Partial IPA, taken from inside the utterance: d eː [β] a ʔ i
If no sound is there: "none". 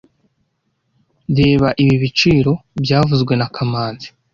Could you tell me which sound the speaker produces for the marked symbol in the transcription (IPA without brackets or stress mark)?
β